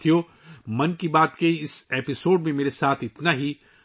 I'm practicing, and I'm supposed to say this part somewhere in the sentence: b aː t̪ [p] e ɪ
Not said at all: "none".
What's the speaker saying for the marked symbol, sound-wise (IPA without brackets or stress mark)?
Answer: k